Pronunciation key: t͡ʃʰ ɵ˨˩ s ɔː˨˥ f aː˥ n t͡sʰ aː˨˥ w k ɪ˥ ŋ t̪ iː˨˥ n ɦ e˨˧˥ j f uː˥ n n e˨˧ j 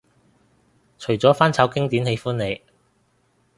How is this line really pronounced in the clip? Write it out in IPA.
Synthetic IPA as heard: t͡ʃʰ ɵ˨˩ t͡s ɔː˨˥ f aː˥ n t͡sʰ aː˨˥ w k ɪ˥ ŋ t̪ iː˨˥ n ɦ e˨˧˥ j f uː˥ n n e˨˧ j